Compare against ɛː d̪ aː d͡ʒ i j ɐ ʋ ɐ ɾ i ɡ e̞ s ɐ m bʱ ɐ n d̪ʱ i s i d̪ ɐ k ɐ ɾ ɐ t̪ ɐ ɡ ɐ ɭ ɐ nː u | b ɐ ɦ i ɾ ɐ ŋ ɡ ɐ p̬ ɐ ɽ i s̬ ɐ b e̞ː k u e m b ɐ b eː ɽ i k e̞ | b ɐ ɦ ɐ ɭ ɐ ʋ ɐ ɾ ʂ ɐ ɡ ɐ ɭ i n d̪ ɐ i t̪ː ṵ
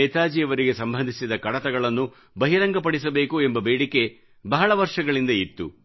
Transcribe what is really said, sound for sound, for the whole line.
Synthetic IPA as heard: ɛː t̪ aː d͡ʒ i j ɐ ʋ ɐ ɾ i ɡ e̞ s ɐ m bʱ ɐ n d̪ʱ i s i d̪ ɐ k ɐ ɽ ɐ t̪ ɐ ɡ ɐ ɭ ɐ nː u | b ɐ ɦ i ɾ ɐ ŋ ɡ ɐ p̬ ɐ ɽ i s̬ ɐ b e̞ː k u e m b ɐ b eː ɽ i k e̞ | b ɐ ɦ ɐ ɭ ɐ ʋ ɐ ɾ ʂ ɐ ɡ ɐ ɭ i n d̪ ɐ i t̪ː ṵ

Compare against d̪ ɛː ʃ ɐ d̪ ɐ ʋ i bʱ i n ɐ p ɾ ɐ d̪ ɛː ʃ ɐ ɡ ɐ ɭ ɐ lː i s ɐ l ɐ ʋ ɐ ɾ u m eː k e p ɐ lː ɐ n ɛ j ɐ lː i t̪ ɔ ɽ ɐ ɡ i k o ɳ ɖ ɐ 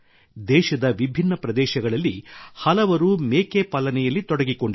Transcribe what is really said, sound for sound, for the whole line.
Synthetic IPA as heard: d̪ ɛː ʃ ɐ d̪ ɐ ʋ i bʱ i nː ɐ p ɾ ɐ d̪ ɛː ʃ ɐ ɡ ɐ ɭ ɐ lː i h ɐ l ɐ ʋ ɐ ɾ u m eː k e p ɐ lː ɐ n ɛ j ɐ lː i t̪ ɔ ɽ ɐ ɡ i k o ɳ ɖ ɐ

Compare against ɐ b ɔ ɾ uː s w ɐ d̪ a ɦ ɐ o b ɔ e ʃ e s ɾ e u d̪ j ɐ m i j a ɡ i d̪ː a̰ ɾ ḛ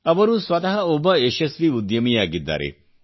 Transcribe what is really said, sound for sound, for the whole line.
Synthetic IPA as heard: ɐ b ɔ ɾ u s w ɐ t̪ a ɦ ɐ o b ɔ e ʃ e s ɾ i u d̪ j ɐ m i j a ɡ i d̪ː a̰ ɾ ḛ

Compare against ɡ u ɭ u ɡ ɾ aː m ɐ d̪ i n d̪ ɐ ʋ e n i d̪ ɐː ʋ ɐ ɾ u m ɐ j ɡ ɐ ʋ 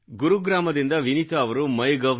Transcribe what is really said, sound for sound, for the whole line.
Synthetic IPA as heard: ɡ u ɾ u ɡ ɾ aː m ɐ d̪ i n d̪ ɐ ʋ i n i t̪ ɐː ʋ ɐ ɾ u m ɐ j ɡ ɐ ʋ

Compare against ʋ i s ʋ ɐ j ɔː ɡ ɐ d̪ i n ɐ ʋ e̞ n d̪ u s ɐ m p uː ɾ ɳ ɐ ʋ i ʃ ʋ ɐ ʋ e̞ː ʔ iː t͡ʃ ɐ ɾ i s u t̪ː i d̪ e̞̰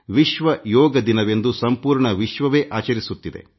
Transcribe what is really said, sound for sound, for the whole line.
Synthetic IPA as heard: ʋ i ʃ ʋ ɐ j ɔː ɡ ɐ d̪ i n ɐ ʋ e̞ n d̪ u s ɐ m p uː ɾ ɳ ɐ ʋ i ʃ ʋ ɐ ʋ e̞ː ʔ aː t͡ʃ ɐ ɾ i s u t̪ː i d̪ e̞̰

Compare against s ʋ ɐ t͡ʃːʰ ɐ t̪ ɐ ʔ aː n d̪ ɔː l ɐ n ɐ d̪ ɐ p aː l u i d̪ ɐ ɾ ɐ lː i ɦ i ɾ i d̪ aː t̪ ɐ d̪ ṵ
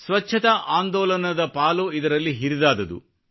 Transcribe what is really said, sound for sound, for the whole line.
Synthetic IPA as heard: s ʋ ɐ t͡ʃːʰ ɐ t̪ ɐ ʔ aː n d̪ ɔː l ɐ n ɐ d̪ ɐ p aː l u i d̪ ɐ ɾ ɐ lː i ɦ i ɾ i d̪ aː d̪ ɐ d̪ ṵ

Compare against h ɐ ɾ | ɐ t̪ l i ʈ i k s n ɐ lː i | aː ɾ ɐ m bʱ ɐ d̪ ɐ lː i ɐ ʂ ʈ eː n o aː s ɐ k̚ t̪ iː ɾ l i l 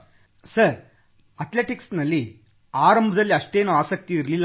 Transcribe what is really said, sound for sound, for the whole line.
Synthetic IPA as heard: s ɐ ɾ | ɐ t̪ l e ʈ i k s n ɐ lː i | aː ɾ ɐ m bʱ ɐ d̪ ɐ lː i ɐ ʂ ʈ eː n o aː s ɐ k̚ t̪ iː ɾ l i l

